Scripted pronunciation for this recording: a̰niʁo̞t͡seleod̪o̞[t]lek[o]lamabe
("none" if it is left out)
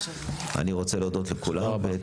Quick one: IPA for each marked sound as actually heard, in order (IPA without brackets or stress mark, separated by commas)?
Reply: t, u